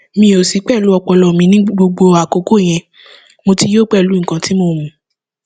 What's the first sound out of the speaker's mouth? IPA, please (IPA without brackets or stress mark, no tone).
m